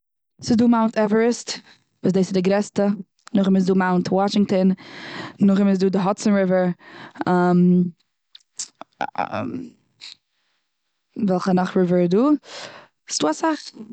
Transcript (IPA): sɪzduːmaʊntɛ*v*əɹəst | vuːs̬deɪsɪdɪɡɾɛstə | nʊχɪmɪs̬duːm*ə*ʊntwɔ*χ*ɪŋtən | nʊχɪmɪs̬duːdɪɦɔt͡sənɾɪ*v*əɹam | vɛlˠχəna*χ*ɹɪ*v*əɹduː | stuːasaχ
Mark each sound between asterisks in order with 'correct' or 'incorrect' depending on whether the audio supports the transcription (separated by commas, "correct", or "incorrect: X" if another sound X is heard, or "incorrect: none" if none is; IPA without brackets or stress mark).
correct, incorrect: a, incorrect: ʃ, correct, correct, correct